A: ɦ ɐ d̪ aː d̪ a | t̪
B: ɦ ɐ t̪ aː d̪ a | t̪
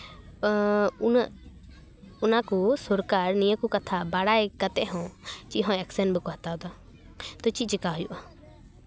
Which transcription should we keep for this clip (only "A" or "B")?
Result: B